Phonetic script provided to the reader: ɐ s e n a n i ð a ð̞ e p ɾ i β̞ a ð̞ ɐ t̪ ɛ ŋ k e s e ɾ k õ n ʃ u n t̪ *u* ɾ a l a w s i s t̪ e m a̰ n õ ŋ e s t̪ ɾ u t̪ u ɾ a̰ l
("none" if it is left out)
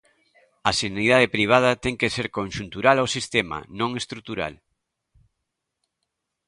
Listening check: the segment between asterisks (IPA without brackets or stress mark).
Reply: u